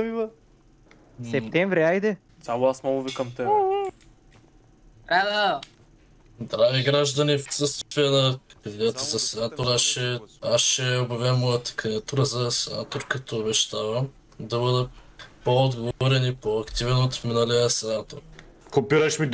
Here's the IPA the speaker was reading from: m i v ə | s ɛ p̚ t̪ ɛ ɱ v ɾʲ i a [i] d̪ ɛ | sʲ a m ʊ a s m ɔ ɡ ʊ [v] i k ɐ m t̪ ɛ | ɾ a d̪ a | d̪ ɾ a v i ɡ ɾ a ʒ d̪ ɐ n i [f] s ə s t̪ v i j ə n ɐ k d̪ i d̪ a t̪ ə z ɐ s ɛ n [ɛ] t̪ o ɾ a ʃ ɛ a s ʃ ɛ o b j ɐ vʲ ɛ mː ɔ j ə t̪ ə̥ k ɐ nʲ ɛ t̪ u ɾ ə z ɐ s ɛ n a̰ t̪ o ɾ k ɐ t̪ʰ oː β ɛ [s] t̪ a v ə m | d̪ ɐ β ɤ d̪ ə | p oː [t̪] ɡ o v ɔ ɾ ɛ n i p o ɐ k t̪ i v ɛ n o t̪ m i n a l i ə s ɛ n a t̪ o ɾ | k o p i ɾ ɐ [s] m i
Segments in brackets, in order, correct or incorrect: incorrect: j, correct, correct, incorrect: a, incorrect: ʃ, incorrect: d̪, incorrect: ʃ

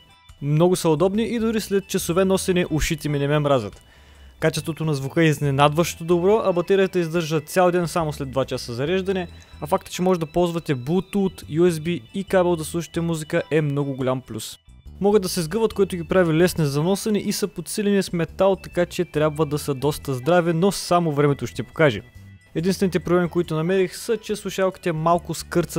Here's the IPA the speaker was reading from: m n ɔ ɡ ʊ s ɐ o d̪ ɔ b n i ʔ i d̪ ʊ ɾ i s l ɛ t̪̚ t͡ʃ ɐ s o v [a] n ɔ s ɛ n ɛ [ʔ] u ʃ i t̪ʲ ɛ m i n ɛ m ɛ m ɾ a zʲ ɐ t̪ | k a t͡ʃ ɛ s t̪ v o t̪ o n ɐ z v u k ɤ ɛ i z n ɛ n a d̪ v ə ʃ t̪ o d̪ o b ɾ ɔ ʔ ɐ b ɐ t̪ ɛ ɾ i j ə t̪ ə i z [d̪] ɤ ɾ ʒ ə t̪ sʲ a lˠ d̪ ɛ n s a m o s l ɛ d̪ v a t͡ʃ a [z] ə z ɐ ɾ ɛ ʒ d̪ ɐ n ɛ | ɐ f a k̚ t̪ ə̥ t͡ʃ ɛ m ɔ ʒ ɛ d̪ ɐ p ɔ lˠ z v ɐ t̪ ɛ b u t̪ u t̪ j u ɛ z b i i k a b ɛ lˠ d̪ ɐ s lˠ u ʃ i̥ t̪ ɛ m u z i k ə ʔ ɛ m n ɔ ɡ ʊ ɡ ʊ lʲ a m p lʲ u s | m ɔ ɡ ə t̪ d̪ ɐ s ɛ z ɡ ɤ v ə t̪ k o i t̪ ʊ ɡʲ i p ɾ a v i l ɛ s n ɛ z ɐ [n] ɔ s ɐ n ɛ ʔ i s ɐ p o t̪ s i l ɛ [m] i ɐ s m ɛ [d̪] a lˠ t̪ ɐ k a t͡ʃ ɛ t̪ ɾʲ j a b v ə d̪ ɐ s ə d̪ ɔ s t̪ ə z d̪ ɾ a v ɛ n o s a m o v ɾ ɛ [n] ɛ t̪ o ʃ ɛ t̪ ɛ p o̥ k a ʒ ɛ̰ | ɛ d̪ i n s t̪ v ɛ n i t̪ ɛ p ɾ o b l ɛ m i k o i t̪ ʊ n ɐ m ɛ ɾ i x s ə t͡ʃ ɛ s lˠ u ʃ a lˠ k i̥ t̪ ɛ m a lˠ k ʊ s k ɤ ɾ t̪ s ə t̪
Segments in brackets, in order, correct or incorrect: incorrect: ɛ, correct, correct, incorrect: s, correct, incorrect: n, incorrect: t̪, incorrect: m

